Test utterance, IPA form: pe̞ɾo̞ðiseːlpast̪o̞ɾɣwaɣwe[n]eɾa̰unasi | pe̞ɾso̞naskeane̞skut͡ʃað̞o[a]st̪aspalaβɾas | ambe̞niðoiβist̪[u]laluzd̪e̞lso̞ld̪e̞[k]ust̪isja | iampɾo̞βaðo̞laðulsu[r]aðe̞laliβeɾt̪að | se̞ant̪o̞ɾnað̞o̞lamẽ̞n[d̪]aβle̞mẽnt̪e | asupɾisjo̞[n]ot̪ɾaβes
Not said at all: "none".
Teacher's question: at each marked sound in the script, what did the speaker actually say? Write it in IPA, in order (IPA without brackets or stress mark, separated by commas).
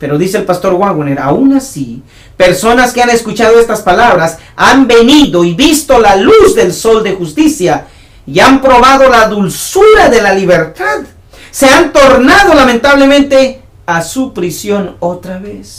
n, e, o, x, ɾ, t̪, n